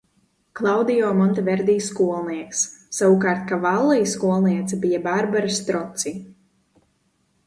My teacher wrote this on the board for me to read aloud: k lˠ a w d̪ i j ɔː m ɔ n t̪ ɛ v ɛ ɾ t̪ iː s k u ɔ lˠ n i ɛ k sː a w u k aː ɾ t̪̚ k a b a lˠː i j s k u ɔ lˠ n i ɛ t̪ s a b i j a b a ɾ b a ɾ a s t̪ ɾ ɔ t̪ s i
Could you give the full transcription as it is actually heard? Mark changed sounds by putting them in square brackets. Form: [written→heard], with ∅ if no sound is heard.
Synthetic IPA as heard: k lˠ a w d̪ i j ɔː m ɔ n t̪ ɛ v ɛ ɾ [t̪→d̪] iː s k u ɔ lˠ n i ɛ k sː a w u k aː ɾ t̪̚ k a [b→v] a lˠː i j s k u ɔ lˠ n i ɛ t̪ s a b i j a b a ɾ b a ɾ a s t̪ ɾ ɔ t̪ s i